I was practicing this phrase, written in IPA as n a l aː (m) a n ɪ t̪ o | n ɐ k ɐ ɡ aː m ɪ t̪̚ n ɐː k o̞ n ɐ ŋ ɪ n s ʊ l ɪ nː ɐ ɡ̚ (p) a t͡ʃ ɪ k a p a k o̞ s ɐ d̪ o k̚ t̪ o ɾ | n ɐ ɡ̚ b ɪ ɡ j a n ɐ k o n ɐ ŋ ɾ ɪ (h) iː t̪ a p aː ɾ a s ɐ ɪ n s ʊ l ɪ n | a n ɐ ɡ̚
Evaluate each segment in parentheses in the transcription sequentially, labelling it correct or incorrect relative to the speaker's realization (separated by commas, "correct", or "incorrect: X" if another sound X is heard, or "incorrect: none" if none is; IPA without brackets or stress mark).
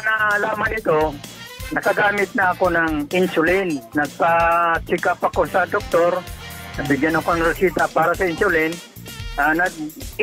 correct, correct, incorrect: s